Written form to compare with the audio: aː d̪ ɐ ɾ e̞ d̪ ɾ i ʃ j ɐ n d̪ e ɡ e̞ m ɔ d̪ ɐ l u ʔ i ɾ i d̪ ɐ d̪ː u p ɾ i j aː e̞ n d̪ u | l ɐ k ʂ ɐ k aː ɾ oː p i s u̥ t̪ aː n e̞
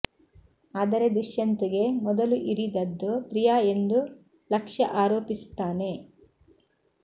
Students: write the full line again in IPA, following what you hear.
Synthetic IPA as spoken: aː d̪ ɐ ɾ e̞ d̪ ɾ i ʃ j ɐ n t̪ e ɡ e̞ m ɔ d̪ ɐ l u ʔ i ɾ i d̪ ɐ d̪ː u p ɾ i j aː e̞ n d̪ u | l ɐ k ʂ ɐ ʔ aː ɾ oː p i s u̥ t̪ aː n e̞